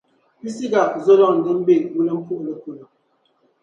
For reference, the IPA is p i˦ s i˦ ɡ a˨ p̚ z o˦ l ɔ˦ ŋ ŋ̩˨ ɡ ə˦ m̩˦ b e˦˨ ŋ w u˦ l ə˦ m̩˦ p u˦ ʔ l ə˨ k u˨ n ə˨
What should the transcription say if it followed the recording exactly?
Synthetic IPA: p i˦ s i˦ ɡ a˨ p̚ z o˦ l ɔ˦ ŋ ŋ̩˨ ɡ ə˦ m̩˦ b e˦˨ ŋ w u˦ l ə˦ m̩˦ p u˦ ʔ l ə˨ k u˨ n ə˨

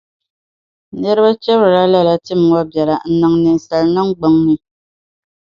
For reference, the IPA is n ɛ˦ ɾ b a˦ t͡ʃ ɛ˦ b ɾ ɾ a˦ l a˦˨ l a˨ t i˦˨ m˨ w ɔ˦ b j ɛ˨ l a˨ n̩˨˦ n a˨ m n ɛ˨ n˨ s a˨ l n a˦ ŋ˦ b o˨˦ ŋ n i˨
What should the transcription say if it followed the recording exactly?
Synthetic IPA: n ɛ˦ ɾ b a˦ t͡ʃ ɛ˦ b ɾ ɾ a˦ l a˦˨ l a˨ t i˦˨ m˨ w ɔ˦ b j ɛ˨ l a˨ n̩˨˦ n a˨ ŋ n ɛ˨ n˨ s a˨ l n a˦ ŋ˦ ɡ͡b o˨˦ ŋ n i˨

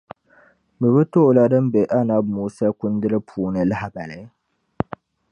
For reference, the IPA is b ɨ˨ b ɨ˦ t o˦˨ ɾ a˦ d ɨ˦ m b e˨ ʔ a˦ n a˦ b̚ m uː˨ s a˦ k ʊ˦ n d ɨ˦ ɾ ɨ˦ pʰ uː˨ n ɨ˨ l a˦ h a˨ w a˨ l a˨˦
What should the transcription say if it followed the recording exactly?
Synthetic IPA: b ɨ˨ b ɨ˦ t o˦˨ l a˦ d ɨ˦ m b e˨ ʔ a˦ n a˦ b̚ m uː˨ s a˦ k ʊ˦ n d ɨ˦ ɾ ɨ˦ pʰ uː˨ n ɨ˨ l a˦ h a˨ b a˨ l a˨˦

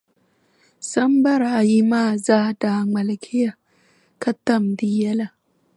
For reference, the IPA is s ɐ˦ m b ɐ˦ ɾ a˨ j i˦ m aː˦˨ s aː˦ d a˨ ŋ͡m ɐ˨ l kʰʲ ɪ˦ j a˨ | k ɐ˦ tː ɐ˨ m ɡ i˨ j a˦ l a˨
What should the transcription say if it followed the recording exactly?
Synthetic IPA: s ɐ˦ m b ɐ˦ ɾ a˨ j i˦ m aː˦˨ z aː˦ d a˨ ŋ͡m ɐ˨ l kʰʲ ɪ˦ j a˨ | k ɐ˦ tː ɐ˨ m d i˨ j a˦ l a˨

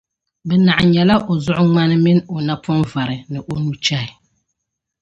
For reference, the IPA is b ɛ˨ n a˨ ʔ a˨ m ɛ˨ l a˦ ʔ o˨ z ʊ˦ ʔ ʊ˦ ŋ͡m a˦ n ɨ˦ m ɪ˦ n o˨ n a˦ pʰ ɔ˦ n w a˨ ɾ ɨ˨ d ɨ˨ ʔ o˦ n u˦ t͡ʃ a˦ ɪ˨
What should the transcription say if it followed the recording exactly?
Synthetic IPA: b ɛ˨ n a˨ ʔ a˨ ɲ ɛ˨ l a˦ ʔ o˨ z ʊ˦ ʔ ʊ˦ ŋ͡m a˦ n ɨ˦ m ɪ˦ n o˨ n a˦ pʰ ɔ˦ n v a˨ ɾ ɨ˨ n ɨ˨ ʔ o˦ n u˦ t͡ʃ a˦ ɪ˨

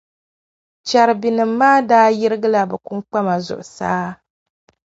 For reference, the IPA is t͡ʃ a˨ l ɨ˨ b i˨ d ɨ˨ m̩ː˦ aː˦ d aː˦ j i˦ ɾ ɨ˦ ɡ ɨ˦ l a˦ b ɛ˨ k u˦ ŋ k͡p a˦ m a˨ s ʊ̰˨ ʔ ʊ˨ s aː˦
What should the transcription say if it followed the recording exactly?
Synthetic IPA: t͡ʃ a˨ ɾ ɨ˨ b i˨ n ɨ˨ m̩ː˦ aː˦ d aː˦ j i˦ ɾ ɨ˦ ɡ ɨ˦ l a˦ b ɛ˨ k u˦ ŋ k͡p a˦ m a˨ z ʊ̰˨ ʔ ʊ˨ s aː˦

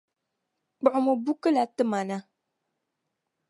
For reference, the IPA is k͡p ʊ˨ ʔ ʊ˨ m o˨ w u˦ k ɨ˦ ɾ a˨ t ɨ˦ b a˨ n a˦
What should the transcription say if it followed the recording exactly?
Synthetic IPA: k͡p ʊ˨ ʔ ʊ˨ m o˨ b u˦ k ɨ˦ l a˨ t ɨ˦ m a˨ n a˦

